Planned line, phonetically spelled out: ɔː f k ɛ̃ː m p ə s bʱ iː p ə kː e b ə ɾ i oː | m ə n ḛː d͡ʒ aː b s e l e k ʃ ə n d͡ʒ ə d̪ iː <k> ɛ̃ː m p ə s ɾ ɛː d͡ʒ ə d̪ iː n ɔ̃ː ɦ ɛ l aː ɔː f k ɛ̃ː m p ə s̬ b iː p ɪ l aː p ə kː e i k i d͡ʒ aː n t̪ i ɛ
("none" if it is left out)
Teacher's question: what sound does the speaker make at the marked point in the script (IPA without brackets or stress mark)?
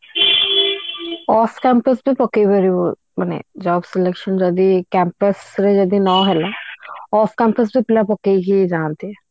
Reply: k